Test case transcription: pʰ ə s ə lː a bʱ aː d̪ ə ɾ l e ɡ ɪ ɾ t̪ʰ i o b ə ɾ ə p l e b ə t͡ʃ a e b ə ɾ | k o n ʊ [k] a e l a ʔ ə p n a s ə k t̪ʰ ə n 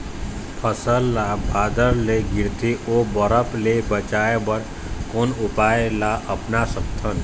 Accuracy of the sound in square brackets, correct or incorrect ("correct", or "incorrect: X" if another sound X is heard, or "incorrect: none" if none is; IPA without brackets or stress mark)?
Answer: incorrect: p